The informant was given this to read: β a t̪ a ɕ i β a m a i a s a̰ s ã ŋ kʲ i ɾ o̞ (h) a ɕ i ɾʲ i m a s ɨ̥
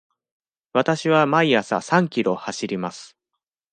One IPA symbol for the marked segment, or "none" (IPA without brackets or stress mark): h